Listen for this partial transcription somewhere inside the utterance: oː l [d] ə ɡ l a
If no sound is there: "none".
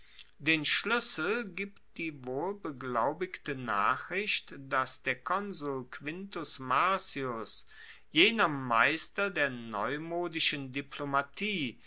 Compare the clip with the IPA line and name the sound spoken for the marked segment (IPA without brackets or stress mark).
b